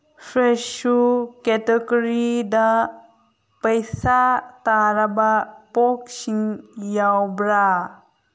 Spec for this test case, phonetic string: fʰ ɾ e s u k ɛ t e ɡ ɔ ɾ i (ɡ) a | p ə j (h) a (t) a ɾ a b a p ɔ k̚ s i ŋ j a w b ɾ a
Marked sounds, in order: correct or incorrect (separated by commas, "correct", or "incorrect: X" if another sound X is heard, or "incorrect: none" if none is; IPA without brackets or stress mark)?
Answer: incorrect: d, incorrect: s, correct